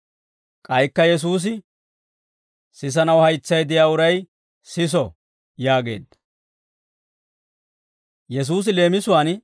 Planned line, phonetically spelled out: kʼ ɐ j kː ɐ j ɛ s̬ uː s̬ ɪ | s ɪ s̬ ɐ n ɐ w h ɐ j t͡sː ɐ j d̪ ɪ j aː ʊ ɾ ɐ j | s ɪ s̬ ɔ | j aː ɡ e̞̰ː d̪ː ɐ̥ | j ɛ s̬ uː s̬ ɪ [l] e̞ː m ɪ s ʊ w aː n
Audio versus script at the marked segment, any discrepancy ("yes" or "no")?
no